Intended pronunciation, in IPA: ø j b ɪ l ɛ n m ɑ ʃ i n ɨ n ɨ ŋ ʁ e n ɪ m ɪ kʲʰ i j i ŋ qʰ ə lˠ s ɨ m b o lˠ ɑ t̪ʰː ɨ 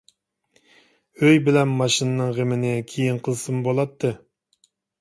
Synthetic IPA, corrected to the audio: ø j b ɪ l ɛ n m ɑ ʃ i n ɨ n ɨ ŋ ʁ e m ɪ n ɪ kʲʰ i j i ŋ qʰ ə lˠ s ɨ m b o lˠ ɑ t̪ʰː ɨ